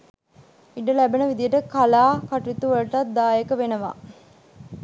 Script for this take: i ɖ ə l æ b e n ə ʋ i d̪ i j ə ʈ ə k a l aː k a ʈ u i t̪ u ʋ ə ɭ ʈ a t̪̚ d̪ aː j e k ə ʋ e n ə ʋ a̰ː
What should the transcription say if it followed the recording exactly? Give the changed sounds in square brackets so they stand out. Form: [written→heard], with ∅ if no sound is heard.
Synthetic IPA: i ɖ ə l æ b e n ə ʋ i d̪ i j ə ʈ ə k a l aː k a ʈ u i t̪ u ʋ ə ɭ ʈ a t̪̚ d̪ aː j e k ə ʋ e n ə ʋ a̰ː